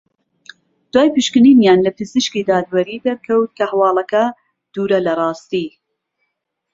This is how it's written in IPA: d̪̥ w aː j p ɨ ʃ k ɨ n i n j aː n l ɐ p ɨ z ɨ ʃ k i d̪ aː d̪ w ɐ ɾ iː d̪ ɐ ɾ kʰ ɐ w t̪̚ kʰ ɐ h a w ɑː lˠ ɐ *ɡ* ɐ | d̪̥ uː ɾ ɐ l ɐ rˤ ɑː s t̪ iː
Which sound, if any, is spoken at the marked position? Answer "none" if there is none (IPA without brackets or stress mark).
k